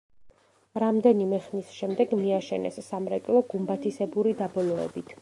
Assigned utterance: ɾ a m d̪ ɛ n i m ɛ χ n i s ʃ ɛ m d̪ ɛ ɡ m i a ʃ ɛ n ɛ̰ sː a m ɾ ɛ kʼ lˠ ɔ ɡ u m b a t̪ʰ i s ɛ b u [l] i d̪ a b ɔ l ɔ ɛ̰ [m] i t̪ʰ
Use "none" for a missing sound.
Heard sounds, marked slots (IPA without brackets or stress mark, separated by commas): ɾ, b